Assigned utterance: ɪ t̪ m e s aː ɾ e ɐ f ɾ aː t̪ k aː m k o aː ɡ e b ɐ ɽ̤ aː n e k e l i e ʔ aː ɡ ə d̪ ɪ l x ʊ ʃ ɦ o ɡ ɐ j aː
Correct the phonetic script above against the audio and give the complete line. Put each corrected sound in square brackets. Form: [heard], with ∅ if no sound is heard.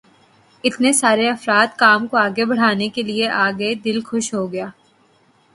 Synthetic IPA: ɪ t̪ [n] e s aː ɾ e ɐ f ɾ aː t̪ k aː m k o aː ɡ e b ɐ ɽ̤ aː n e k e l i e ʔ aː ɡ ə d̪ ɪ l x ʊ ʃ ɦ o ɡ ɐ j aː